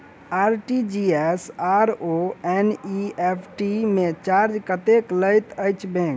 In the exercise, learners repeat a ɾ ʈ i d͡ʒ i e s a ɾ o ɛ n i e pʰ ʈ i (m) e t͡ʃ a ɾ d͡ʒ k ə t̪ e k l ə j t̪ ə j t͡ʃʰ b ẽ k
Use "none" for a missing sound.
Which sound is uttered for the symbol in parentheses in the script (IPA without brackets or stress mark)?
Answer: m